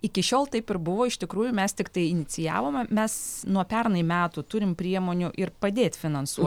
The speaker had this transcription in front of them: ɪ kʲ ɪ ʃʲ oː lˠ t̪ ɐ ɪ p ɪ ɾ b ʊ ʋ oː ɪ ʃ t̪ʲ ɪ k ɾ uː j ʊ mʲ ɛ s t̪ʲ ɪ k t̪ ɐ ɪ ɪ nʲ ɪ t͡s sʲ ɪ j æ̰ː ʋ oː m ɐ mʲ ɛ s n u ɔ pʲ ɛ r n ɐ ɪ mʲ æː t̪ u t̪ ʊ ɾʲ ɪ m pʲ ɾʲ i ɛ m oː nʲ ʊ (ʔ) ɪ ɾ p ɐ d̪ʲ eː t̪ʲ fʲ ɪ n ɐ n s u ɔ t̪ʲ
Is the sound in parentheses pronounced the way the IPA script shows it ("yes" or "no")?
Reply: yes